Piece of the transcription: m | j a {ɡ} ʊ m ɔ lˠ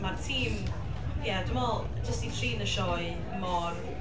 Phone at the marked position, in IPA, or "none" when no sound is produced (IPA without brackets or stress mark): d